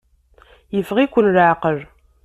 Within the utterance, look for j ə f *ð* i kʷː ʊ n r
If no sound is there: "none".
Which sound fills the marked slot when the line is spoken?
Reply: ʁ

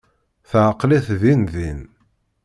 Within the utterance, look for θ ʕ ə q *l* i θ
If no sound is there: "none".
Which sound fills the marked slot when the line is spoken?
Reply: l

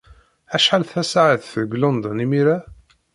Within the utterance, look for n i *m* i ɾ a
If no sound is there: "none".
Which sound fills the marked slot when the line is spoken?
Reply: m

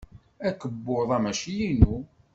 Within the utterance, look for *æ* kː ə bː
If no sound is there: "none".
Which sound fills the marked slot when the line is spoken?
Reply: æ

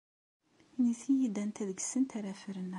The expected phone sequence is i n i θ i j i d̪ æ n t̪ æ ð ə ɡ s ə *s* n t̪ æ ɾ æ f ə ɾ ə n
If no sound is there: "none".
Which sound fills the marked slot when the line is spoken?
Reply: none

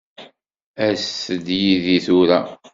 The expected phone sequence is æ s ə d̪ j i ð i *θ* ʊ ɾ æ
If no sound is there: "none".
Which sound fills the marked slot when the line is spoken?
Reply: θ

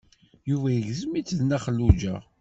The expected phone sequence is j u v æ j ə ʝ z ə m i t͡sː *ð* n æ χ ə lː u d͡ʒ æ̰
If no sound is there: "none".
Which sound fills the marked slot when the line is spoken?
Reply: ð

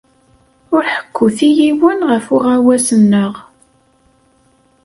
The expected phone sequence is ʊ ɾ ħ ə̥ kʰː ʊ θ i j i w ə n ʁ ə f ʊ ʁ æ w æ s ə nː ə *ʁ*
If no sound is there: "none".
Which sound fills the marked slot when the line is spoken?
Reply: ʁ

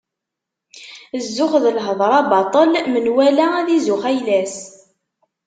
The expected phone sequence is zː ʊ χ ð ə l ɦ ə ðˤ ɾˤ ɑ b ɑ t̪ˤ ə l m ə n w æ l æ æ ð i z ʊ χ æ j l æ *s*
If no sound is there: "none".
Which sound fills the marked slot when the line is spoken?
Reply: s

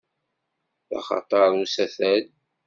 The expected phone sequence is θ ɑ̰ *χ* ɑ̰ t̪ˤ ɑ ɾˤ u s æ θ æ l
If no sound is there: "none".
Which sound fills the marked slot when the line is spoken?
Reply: χ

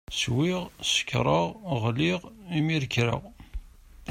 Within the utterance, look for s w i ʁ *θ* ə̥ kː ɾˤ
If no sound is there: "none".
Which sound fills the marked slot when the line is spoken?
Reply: s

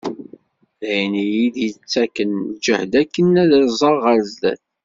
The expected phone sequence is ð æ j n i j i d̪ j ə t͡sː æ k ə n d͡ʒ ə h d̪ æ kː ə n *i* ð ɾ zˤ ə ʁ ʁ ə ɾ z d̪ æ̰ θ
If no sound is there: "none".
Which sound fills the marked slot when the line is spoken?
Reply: æ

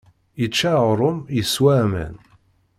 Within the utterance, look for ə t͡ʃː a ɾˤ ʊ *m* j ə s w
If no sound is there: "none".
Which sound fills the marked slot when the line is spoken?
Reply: m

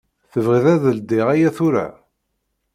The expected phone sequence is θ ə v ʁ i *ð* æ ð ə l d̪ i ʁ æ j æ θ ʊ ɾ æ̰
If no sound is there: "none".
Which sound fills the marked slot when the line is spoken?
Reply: ð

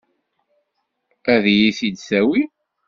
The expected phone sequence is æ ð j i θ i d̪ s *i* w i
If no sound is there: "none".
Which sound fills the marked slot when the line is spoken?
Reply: æ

